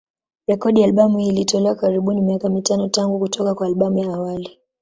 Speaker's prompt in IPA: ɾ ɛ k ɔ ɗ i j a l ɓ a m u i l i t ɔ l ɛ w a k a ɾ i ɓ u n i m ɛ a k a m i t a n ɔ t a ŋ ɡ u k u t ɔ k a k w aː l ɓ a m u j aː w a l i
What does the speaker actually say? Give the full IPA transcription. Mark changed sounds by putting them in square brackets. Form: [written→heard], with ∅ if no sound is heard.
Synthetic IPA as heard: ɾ ɛ k ɔ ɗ i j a l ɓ a m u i l i t ɔ l ɛ w a k a ɾ i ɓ u n i m [ɛ→i] a k a m i t a n ɔ t a ŋ ɡ u k u t ɔ k a k w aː l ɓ a m u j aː w a l i